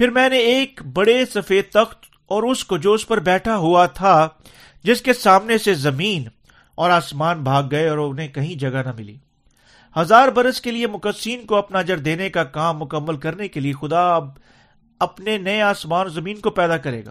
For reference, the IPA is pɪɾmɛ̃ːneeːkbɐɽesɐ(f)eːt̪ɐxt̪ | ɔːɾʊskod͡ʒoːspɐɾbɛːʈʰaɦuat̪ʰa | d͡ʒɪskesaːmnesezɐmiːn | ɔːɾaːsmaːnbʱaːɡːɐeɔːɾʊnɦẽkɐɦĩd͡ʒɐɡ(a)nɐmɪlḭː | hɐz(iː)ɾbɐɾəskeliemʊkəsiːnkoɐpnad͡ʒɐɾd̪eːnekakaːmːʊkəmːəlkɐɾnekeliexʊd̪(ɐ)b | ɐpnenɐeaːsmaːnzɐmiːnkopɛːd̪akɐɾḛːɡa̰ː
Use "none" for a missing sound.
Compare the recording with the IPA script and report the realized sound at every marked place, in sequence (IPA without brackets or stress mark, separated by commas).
f, a, aː, a